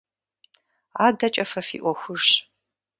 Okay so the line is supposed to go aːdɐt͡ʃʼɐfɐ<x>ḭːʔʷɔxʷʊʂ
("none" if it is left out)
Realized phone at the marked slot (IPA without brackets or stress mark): f